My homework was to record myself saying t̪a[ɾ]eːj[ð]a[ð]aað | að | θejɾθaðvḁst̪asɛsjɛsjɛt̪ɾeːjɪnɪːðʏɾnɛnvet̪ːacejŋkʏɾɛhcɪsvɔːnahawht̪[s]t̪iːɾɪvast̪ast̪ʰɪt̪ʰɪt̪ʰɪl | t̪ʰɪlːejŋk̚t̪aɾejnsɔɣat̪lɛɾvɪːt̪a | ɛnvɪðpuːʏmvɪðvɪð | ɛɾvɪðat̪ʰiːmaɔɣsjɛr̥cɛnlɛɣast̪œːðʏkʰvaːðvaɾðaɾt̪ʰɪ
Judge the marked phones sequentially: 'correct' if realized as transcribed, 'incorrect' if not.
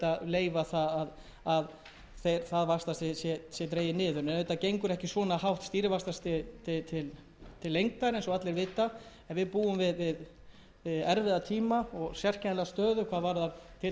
incorrect: l, incorrect: v, incorrect: θ, correct

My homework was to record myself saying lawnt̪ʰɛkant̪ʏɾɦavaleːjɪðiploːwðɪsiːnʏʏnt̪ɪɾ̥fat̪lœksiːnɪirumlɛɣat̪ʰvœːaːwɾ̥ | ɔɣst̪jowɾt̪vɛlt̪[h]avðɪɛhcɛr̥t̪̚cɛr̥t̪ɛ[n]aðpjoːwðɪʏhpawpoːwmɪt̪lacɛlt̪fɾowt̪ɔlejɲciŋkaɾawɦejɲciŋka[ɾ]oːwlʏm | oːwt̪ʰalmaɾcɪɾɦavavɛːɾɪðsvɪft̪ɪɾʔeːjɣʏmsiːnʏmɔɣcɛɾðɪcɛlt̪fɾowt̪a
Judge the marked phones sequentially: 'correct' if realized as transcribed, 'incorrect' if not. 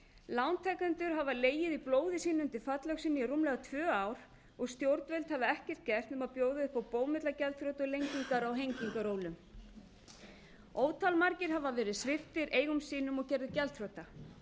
correct, incorrect: m, correct

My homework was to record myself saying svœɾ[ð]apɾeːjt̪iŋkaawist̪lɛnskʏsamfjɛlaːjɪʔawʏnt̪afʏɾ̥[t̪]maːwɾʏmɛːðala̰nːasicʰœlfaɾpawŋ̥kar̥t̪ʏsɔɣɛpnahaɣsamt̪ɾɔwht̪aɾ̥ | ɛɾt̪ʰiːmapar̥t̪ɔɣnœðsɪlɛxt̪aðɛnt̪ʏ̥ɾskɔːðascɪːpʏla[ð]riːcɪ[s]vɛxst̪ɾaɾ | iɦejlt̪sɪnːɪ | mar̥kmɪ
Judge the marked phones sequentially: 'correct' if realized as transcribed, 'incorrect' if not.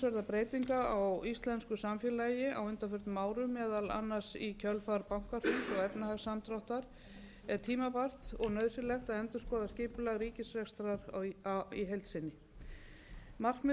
correct, correct, incorrect: ɣ, correct

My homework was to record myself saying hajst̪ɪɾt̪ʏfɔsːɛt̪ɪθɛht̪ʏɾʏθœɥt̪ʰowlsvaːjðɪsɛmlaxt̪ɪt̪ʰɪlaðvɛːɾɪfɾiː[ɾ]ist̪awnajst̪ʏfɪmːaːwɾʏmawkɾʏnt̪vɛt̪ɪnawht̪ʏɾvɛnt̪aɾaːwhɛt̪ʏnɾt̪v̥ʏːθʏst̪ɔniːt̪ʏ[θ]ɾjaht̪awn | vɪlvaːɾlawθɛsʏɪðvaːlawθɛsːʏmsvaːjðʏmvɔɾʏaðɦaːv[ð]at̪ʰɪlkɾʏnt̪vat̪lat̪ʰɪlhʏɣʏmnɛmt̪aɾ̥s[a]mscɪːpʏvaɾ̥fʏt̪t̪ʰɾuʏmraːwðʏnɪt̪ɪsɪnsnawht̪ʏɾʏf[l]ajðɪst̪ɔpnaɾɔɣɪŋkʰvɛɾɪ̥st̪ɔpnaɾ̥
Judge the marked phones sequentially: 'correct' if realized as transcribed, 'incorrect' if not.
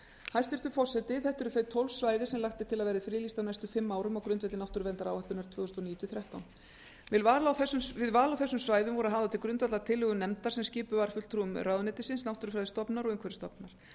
incorrect: l, correct, correct, incorrect: ɛ, incorrect: ɾ

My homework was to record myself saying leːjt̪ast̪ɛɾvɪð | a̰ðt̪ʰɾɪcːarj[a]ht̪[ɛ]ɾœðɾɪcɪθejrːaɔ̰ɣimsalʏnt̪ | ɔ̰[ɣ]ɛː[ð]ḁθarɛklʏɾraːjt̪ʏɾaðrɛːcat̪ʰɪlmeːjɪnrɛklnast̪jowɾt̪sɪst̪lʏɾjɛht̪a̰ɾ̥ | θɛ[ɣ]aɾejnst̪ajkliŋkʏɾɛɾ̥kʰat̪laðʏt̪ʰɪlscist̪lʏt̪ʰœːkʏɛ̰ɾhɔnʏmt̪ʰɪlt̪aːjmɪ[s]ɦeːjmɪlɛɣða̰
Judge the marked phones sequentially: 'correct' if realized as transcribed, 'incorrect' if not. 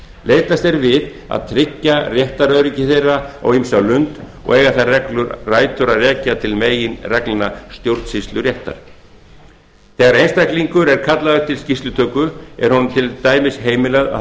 incorrect: ɛ, incorrect: a, correct, incorrect: ɣ, correct, correct

